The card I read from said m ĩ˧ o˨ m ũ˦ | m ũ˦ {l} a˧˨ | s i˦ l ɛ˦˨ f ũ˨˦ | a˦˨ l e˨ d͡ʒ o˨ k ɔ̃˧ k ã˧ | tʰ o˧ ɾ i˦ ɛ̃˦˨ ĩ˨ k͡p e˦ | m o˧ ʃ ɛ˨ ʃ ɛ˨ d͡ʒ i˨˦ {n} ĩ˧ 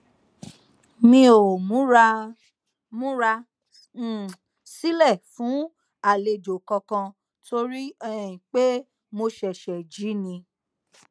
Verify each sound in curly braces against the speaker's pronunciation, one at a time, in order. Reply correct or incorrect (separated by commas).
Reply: incorrect, correct